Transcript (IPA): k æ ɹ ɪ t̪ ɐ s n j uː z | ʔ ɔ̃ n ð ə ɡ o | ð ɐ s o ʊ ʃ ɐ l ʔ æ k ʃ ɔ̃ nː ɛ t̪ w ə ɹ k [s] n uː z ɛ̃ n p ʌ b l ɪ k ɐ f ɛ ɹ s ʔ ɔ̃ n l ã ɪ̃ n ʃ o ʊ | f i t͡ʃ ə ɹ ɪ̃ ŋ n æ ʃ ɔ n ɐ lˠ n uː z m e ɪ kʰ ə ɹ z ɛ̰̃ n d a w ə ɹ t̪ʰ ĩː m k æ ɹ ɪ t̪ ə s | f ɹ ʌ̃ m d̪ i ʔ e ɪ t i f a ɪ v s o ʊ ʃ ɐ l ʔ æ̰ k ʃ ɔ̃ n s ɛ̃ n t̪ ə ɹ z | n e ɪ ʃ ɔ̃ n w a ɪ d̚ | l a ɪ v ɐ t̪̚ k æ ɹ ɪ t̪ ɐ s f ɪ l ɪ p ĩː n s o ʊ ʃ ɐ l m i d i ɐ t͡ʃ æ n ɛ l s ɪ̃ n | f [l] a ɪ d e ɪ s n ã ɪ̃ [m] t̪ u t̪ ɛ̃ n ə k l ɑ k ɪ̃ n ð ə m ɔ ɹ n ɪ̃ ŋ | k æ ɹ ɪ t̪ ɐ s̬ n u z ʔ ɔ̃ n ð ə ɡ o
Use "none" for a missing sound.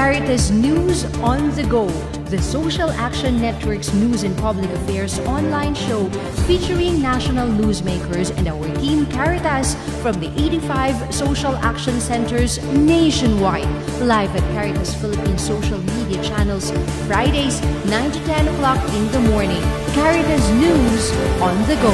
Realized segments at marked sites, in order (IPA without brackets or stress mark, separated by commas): s, ɹ, n